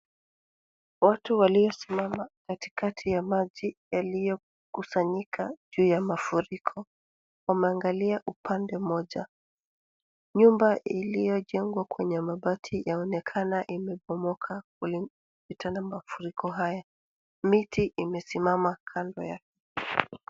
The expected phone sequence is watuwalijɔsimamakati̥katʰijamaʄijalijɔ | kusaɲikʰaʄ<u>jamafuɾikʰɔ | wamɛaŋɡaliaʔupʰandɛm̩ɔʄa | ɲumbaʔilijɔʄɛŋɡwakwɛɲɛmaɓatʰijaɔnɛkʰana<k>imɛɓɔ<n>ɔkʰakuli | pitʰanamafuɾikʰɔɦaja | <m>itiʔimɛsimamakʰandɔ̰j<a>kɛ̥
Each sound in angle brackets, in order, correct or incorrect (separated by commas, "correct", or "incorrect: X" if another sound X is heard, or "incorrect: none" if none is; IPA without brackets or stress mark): incorrect: uː, incorrect: ʔ, incorrect: m, correct, correct